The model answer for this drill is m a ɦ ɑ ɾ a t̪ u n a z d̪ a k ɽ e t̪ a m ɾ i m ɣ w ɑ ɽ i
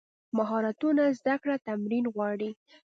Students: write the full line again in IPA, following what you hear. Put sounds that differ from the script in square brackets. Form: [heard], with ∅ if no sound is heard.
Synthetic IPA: m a ɦ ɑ ɾ a t̪ u n a z d̪ a k ɽ [a] t̪ a m ɾ i [n] ɣ w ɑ ɽ i